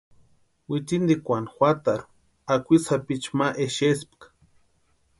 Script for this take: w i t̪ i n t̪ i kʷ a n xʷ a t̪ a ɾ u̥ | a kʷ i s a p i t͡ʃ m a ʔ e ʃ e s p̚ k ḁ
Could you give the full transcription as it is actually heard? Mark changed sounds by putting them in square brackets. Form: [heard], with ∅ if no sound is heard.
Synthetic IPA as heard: w i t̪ i n [d̪] i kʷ a n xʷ a t̪ a ɾ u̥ | a kʷ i s a p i t͡ʃ m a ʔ e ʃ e s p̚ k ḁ